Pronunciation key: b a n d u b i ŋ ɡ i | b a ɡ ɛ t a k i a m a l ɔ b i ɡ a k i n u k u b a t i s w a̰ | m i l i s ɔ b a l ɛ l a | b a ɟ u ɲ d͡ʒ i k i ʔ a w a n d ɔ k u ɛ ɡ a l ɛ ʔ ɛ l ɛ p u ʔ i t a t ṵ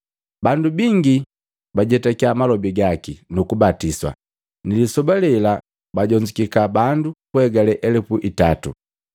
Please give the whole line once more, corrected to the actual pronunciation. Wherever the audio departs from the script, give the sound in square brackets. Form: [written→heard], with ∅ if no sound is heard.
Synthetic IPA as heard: b a n d u b i ŋ ɡ i | b a [ɡ→ɟ] ɛ t a k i a m a l ɔ b i ɡ a k i n u k u b a t i s w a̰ | [m→n] i l i s ɔ b a l ɛ l a | b a ɟ [u→ɔ] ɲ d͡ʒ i k i [ʔ→k] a [w→b] a n d [ɔ→u] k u ɛ ɡ a l ɛ ʔ ɛ l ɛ p u ʔ i t a t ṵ